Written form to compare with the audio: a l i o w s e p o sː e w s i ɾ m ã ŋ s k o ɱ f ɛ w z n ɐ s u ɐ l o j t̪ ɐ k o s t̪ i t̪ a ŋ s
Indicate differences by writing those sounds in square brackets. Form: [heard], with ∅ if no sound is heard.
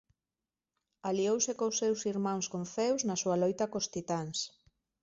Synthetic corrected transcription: a l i o w s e [k] o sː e w s i ɾ m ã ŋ s k o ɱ f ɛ w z n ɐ s u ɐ l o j t̪ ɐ k o s t̪ i t̪ a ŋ s